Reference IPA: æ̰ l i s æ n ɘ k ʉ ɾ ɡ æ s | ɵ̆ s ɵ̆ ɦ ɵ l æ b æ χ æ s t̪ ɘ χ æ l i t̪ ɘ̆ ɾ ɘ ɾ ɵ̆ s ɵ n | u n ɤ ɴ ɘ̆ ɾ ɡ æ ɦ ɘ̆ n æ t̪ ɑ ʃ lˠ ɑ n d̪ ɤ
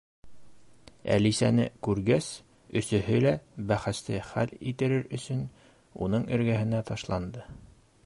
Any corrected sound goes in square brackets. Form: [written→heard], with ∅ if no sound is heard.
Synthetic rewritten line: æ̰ l i s æ n ɘ k ʉ ɾ ɡ æ s | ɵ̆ s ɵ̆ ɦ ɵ l æ b æ χ æ s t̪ ɘ χ æ l i t̪ ɘ̆ ɾ ɘ ɾ ɵ̆ s ɵ n | u n ɤ ɴ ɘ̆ ɾ ɡ æ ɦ ɘ̆ n æ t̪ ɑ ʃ lˠ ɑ n d̪ ɤ